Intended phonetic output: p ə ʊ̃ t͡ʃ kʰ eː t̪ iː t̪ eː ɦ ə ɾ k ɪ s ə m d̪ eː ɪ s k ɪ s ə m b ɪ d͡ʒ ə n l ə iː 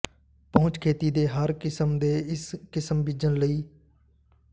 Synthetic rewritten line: p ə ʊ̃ t͡ʃ kʰ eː t̪ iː d̪ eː ɦ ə ɾ k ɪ s ə m d̪ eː ɪ s k ɪ s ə m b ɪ d͡ʒ ə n l ə iː